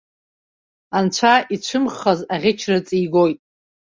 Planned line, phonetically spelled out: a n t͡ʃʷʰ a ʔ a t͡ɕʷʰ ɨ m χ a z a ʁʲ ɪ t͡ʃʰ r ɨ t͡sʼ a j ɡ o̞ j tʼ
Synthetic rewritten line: a n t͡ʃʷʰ a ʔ i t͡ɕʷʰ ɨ m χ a z a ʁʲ ɪ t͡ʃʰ r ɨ t͡sʼ i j ɡ o̞ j tʼ